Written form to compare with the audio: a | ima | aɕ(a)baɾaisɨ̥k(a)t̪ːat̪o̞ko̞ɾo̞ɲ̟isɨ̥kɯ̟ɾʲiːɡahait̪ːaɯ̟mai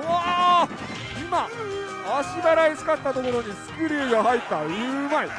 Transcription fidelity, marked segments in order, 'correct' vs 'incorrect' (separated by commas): incorrect, correct